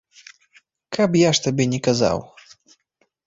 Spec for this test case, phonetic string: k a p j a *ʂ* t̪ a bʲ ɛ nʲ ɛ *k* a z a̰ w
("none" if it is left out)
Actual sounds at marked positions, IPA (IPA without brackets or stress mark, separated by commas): ʂ, k